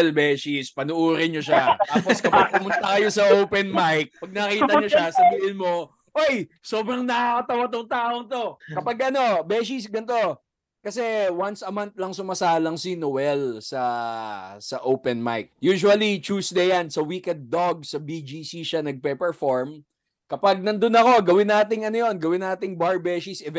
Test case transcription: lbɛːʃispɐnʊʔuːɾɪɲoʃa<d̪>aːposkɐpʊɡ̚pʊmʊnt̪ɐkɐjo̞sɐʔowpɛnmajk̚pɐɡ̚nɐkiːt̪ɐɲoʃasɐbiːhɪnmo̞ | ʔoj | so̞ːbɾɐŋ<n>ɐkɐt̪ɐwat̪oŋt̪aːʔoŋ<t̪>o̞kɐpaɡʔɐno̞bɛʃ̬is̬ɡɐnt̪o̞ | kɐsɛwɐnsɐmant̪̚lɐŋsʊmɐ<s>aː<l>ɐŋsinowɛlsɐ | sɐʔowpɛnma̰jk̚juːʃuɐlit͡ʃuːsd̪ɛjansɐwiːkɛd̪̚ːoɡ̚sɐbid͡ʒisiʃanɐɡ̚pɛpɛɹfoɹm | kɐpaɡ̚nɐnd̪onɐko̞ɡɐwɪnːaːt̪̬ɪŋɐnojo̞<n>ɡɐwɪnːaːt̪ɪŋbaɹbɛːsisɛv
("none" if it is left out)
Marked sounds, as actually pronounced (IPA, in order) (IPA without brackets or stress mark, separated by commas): t̪, n, t̪, s, l, n